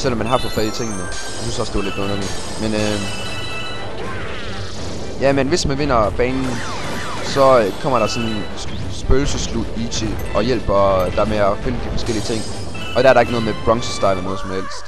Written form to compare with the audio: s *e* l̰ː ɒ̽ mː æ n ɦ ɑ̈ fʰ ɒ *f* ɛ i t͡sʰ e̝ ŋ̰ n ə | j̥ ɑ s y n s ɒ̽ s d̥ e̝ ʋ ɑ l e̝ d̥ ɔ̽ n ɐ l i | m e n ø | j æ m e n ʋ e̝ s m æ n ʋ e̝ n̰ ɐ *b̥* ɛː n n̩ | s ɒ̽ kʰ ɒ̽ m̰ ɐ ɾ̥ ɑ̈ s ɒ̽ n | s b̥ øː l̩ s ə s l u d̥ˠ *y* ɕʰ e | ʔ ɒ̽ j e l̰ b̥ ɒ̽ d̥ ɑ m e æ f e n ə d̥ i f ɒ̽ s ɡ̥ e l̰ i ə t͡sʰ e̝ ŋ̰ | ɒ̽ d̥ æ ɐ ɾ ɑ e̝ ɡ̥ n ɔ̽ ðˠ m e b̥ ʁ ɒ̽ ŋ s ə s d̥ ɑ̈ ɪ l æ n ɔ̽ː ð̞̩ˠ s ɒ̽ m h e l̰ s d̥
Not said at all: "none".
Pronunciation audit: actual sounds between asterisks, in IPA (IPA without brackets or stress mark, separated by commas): e, f, b̥, i